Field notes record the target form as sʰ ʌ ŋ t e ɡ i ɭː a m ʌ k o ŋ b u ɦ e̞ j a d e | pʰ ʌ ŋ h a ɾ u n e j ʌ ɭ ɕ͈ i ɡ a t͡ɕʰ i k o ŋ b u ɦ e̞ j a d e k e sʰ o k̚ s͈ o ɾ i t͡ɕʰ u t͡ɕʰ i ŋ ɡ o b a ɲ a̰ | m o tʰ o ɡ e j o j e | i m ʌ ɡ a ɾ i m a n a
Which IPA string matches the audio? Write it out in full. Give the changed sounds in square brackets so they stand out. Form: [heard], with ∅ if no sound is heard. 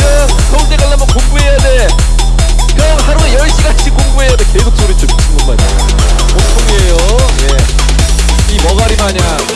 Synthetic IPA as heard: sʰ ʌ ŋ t e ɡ [a] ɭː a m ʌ k o ŋ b u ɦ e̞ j a d e | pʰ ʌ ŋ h a ɾ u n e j ʌ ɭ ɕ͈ i ɡ a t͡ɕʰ i k o ŋ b u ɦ e̞ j a d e k e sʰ o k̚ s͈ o ɾ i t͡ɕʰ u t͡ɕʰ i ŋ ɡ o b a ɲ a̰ | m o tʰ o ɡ e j o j e | i m ʌ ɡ a ɾ i m a [ɲ] a